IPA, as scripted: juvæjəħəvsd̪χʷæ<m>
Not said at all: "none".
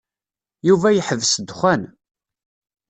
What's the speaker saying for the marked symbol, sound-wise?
n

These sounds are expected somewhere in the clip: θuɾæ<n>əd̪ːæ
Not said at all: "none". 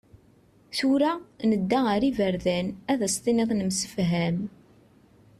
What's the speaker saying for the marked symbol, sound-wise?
n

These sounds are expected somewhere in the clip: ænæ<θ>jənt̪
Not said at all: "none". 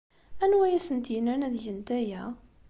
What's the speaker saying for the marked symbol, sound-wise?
ð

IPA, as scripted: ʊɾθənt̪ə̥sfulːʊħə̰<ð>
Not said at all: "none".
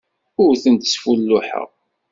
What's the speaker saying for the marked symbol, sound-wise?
ʁ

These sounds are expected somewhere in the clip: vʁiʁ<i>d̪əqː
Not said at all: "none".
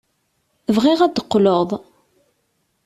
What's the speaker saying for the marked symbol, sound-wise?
æ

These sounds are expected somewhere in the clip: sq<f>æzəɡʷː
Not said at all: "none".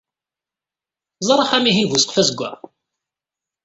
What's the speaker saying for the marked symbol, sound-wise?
f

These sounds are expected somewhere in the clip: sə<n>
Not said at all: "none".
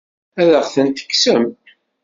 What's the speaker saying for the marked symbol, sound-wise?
m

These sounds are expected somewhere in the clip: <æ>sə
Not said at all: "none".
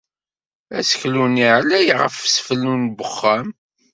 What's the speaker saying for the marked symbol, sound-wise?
æ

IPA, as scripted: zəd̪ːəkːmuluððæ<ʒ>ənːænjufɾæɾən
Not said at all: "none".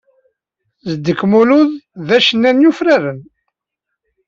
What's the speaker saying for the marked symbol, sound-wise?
ʃ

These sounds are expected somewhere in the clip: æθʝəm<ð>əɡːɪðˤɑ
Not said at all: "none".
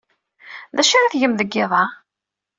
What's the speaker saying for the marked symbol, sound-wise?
ð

